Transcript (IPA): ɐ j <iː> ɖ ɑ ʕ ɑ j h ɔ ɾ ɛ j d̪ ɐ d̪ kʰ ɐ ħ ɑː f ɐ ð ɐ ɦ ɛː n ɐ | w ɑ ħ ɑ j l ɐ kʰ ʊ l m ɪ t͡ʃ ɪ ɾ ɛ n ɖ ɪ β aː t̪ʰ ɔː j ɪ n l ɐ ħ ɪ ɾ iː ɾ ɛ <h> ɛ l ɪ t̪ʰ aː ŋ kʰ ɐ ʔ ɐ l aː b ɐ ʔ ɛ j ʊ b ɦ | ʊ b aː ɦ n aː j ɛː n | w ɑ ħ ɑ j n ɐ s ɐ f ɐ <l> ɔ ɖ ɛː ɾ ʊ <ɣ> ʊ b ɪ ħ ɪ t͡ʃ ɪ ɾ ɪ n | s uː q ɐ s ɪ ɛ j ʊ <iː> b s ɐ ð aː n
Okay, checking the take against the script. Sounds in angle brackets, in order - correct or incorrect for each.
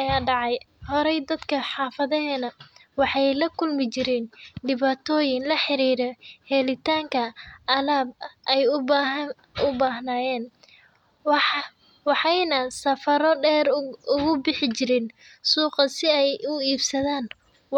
incorrect: aː, correct, incorrect: ɾ, correct, correct

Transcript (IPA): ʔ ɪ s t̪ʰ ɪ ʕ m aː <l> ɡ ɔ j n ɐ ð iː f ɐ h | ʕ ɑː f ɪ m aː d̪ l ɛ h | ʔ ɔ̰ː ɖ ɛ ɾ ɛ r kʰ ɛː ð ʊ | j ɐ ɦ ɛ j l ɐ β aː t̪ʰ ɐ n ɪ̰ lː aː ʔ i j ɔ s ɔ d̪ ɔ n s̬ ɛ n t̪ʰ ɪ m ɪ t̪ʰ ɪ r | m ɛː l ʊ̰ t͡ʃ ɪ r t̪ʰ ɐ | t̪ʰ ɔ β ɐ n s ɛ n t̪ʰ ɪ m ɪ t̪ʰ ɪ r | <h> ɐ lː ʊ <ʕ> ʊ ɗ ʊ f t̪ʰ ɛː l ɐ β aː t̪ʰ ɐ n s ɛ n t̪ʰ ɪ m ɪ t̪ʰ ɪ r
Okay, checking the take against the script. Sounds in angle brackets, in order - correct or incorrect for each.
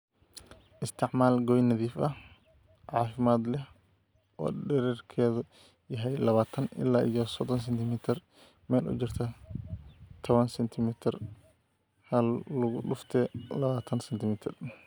correct, correct, incorrect: ɣ

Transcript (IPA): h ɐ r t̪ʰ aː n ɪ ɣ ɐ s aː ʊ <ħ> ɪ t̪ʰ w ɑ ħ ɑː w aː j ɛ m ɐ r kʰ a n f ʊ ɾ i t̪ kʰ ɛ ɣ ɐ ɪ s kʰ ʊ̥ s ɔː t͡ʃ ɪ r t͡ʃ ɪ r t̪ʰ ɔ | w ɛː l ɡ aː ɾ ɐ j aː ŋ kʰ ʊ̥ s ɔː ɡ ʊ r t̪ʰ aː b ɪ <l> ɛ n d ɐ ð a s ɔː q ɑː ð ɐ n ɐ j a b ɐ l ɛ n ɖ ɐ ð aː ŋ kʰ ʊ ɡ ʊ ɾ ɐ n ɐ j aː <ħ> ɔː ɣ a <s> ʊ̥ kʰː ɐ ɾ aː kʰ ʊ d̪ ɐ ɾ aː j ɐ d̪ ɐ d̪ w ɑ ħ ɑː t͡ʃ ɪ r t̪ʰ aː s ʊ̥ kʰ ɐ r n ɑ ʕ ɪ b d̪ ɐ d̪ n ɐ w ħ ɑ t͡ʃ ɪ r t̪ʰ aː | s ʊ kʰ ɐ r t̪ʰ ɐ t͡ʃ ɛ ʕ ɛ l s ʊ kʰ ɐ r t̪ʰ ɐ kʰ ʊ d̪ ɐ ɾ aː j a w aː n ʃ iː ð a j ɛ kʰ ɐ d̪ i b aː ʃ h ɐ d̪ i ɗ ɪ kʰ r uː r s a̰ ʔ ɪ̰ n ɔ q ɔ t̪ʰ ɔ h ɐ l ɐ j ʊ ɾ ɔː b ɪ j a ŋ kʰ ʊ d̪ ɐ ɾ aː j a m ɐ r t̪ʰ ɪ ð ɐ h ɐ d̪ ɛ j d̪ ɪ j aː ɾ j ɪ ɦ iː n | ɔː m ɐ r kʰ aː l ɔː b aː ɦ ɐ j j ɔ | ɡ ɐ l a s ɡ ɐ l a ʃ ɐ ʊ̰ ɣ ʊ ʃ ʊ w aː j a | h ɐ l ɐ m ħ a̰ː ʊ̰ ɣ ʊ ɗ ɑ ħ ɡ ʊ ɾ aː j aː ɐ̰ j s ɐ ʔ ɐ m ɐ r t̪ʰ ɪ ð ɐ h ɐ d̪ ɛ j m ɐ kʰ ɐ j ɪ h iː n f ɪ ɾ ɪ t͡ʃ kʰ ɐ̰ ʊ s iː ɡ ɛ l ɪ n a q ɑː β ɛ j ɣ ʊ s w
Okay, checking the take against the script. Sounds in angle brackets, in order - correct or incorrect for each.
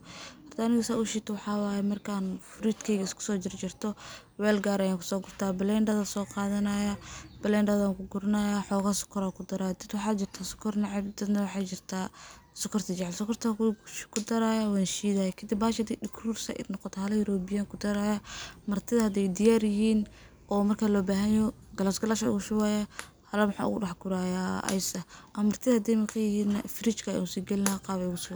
incorrect: ʃ, correct, correct, correct

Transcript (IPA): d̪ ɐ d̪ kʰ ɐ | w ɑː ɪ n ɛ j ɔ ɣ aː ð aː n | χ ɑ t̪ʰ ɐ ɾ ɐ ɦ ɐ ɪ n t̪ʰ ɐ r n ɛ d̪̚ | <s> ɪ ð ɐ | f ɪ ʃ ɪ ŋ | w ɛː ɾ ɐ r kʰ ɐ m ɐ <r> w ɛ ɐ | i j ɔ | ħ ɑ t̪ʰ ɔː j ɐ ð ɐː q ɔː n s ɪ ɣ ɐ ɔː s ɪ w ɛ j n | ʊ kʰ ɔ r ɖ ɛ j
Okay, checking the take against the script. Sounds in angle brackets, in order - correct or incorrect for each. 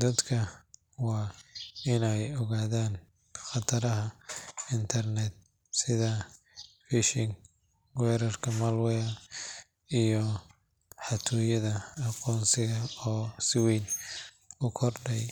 correct, incorrect: l

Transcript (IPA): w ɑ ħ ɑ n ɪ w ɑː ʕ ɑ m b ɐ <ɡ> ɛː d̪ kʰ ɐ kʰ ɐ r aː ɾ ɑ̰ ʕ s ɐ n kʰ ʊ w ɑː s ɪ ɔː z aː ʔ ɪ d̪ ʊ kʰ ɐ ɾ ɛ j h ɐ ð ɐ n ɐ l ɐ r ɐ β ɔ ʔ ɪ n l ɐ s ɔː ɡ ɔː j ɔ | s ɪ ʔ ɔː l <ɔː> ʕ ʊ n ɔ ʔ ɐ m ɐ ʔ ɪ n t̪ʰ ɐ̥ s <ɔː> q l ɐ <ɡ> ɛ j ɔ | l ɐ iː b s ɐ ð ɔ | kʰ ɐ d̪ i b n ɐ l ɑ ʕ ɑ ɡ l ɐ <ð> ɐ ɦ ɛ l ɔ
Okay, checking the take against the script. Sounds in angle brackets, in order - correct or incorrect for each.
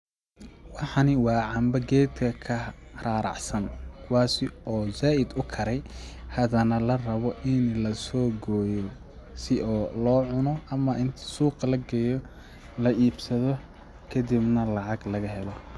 correct, correct, incorrect: uː, correct, incorrect: ɣ

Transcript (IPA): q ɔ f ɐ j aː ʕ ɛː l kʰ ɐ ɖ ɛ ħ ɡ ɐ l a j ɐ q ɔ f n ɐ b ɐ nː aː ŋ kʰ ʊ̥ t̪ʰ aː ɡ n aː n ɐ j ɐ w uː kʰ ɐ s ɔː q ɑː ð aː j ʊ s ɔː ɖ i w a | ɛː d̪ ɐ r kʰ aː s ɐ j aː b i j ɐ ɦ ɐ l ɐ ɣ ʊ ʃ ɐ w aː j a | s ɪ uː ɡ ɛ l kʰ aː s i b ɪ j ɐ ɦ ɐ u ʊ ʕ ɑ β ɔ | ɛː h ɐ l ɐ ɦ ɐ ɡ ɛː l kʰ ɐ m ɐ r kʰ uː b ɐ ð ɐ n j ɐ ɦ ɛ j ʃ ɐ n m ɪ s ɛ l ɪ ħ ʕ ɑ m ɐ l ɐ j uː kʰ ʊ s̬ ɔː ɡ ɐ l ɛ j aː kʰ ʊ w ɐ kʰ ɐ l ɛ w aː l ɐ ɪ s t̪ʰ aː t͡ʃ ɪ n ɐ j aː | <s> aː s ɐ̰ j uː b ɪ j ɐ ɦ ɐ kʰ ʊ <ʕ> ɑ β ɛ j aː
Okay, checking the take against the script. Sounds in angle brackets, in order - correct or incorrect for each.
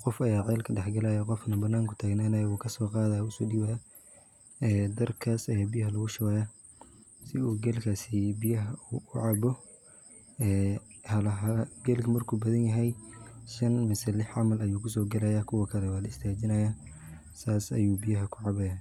correct, correct

